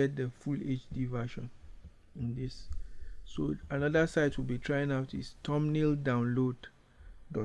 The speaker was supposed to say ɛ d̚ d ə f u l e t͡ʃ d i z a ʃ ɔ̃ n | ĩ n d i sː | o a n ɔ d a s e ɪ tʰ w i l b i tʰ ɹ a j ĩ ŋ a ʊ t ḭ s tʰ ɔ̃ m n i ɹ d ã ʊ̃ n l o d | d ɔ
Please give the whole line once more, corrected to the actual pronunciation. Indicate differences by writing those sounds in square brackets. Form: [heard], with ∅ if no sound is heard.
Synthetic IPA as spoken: ɛ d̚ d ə f u l e t͡ʃ d i [v] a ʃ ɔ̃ n | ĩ n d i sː | o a n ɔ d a s [a] ɪ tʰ w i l b i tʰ ɹ a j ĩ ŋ a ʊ t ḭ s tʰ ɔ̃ m n i [l] d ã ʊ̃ n l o d | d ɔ